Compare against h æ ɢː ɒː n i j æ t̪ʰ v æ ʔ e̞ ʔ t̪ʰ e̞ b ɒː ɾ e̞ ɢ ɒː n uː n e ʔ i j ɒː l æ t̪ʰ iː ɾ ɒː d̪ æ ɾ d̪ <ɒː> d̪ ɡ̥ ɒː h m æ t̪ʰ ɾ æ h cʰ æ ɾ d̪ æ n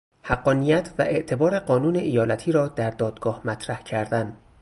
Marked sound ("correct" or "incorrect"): correct